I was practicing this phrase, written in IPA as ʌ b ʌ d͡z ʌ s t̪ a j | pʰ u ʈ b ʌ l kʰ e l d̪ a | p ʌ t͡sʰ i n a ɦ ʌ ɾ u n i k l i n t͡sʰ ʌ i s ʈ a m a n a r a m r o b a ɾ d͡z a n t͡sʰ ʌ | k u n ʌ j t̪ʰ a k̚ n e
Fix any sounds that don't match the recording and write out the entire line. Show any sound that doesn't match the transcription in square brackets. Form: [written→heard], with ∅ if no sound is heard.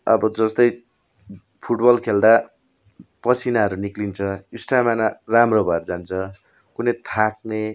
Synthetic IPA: ʌ b ʌ d͡z ʌ s t̪ [a→ʌ] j | pʰ u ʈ b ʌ l kʰ e l d̪ a | p ʌ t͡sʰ i n a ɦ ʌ ɾ u n i k l i n t͡sʰ ʌ i s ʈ a m a n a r a m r o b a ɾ d͡z a n t͡sʰ ʌ | k u n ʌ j t̪ʰ a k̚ n e